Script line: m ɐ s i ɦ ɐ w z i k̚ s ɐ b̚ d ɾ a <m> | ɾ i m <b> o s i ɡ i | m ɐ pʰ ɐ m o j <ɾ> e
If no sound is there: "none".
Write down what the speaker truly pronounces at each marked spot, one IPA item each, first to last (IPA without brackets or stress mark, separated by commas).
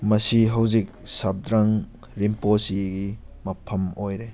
ŋ, p, ɾ